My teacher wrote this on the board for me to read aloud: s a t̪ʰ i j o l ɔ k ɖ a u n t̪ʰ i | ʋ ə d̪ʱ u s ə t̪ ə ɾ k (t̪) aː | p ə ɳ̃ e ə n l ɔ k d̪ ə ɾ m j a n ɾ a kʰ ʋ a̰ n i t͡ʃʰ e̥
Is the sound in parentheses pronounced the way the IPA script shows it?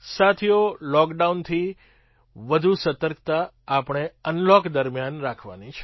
yes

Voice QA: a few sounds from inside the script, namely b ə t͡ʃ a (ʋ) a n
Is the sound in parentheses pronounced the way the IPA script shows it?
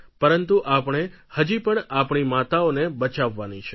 no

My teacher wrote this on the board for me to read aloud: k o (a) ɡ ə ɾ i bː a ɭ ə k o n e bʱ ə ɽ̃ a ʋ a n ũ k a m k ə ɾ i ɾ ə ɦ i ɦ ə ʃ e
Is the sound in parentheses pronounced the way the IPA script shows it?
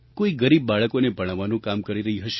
no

